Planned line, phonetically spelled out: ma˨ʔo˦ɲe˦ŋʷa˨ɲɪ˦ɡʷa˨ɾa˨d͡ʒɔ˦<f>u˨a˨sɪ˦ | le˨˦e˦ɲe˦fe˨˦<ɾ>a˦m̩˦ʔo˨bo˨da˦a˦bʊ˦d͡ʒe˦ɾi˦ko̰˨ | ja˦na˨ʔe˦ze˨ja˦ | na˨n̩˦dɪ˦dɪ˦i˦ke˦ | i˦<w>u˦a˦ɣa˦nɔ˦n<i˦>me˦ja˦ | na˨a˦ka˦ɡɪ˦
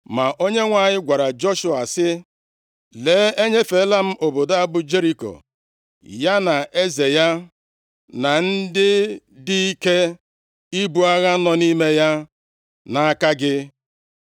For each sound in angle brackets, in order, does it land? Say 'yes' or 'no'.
no, no, no, yes

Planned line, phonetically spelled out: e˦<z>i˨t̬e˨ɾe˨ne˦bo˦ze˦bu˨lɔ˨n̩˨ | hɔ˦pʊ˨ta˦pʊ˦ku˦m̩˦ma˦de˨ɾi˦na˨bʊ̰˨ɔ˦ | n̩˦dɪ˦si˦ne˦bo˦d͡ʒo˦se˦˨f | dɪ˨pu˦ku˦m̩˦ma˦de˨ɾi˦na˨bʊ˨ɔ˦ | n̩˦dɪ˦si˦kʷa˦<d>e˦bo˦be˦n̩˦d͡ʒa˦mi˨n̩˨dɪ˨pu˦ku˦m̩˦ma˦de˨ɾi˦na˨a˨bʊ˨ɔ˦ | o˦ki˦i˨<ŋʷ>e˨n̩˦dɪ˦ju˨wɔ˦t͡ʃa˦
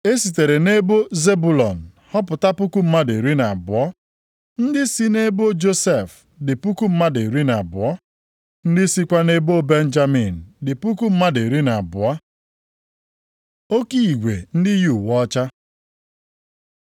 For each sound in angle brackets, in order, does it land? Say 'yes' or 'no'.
no, no, no

